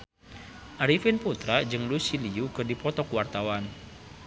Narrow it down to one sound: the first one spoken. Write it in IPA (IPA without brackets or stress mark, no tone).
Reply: ʔ